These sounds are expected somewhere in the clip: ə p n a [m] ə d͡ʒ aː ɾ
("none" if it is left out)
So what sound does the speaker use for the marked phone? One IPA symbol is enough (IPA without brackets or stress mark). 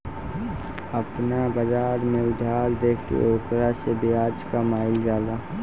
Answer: b